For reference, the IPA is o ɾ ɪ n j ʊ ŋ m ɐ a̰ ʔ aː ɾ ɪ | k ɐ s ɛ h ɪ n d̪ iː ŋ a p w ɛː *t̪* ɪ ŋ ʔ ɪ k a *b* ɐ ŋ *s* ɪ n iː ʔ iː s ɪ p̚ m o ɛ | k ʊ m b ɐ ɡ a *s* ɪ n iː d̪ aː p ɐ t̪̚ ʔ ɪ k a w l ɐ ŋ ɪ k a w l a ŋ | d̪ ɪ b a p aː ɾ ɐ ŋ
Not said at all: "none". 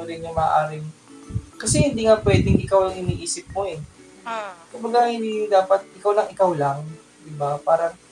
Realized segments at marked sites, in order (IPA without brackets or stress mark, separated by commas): d̪, w, h, h